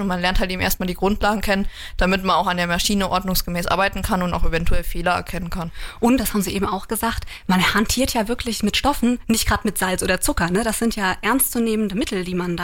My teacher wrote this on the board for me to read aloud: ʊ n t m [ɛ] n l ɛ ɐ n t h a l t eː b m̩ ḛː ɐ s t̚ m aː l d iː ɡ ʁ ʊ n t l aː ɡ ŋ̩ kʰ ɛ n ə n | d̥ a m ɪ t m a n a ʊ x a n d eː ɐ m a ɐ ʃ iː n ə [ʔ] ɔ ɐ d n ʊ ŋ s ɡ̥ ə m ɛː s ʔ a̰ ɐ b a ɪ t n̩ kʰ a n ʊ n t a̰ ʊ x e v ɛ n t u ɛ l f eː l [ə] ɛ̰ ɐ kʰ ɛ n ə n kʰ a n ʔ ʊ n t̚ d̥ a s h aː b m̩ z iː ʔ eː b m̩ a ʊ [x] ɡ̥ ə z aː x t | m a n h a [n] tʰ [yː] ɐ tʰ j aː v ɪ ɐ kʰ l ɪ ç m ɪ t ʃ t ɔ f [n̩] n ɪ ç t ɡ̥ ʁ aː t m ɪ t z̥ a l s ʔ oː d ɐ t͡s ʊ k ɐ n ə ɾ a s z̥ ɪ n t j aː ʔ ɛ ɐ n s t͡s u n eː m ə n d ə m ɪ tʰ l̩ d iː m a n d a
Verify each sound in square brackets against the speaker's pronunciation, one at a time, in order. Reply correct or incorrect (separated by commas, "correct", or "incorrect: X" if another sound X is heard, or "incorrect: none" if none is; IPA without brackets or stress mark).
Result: incorrect: a, correct, incorrect: ɐ, correct, correct, incorrect: iː, correct